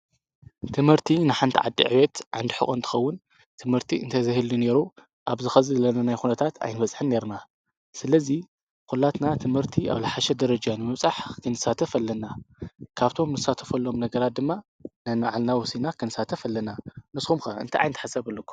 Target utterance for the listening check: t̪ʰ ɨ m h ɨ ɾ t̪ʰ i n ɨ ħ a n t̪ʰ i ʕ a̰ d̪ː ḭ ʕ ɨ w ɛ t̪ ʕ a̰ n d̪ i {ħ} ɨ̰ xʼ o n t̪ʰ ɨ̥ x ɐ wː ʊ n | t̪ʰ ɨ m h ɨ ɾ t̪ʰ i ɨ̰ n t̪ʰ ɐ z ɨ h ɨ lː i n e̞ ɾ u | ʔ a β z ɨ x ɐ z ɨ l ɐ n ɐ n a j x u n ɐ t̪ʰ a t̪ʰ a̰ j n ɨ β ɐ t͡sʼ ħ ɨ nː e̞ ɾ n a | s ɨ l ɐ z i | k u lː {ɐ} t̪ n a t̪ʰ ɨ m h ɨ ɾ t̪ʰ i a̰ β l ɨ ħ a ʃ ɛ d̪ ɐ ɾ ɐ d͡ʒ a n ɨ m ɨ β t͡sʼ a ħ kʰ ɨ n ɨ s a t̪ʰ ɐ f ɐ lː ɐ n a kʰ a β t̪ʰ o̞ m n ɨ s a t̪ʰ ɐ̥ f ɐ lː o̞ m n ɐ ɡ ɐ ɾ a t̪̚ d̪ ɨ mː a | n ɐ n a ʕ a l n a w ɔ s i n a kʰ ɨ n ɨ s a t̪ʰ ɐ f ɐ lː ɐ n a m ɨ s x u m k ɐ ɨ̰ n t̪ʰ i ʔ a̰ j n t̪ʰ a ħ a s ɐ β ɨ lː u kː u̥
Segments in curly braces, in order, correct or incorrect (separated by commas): correct, incorrect